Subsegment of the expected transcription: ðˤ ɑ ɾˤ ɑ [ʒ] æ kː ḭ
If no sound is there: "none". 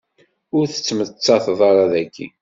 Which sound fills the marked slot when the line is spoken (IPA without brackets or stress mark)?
ð